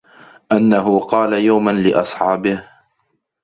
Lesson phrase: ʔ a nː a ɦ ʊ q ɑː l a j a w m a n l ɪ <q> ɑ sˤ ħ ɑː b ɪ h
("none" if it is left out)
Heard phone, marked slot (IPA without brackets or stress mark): ʔ